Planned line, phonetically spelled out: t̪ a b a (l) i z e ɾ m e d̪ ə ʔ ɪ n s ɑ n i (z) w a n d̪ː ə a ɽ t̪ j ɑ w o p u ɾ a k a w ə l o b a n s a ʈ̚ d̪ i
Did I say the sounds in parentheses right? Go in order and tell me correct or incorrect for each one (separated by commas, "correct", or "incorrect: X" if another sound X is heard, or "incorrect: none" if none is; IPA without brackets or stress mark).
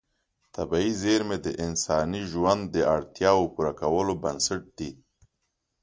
incorrect: none, incorrect: ʒ